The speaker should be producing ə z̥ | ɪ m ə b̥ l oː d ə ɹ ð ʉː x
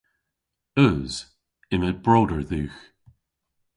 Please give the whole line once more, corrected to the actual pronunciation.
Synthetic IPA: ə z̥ | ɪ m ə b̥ ɹ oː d ə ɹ ð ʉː x

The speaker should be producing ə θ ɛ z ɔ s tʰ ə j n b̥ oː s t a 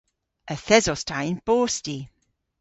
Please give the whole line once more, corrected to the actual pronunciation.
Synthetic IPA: ə θ ɛ z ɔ s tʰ a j n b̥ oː s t i

